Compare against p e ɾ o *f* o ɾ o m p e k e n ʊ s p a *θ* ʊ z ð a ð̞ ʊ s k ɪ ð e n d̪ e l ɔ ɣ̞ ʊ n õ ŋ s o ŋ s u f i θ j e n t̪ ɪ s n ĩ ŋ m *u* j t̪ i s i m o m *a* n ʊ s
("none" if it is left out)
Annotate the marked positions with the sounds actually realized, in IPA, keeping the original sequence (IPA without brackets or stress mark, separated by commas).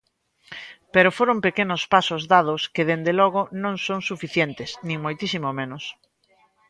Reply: f, s, o, e